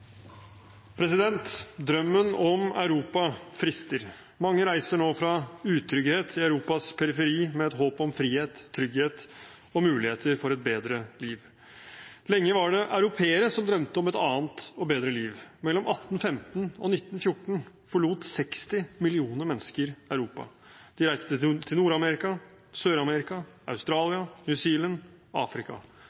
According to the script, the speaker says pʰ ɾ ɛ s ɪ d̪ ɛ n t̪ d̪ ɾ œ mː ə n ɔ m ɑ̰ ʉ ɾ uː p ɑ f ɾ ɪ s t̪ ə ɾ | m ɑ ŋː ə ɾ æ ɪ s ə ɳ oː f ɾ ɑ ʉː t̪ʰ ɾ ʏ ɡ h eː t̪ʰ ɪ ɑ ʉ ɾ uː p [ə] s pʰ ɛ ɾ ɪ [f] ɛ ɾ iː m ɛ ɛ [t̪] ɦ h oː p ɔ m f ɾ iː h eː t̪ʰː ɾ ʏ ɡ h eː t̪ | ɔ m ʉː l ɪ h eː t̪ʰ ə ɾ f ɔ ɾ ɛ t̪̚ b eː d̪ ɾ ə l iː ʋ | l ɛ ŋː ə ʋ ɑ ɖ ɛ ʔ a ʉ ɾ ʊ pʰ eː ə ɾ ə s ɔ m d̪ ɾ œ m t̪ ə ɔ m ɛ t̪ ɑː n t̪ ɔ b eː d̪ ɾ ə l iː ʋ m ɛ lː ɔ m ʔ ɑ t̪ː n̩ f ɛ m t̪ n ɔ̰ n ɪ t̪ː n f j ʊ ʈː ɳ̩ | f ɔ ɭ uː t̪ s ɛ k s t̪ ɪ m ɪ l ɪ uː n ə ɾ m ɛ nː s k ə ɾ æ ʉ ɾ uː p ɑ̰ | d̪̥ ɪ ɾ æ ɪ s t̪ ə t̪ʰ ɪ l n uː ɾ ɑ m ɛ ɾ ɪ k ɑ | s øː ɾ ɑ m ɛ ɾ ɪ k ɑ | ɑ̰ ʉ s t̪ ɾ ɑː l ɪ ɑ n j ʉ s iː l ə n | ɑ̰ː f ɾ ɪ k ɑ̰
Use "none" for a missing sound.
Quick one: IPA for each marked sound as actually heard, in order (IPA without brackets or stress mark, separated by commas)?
ɑ, f, t̪